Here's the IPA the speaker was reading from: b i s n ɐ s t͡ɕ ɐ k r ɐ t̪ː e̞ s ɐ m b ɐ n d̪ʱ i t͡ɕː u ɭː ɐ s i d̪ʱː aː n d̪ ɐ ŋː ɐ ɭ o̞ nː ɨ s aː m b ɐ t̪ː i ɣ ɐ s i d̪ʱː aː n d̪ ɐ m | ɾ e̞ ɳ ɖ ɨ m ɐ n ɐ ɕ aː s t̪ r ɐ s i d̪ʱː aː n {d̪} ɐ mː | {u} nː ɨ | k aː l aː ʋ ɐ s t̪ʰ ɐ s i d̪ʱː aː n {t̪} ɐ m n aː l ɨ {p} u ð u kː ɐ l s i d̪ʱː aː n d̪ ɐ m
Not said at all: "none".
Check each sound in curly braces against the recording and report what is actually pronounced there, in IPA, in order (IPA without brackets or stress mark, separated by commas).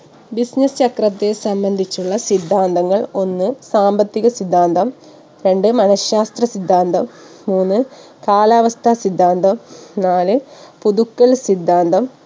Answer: d̪, uː, d̪, p